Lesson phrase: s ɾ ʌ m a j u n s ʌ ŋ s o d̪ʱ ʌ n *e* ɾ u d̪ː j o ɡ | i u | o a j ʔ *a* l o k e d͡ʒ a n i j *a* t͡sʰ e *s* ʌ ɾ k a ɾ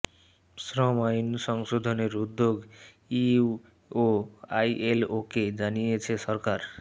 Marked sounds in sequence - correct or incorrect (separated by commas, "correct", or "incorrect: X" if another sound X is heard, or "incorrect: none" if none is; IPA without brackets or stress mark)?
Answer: correct, incorrect: e, incorrect: e, correct